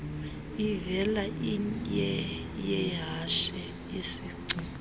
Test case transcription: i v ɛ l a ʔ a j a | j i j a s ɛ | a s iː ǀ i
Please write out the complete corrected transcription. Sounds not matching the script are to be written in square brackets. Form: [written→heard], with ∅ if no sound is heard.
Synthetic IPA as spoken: i v ɛ l a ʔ [a→i] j [a→ɛ] | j [i→ɛ] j a [s→ʃ] ɛ | [a→i] s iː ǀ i